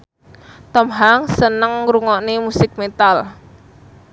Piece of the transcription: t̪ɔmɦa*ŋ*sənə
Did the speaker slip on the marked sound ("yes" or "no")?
no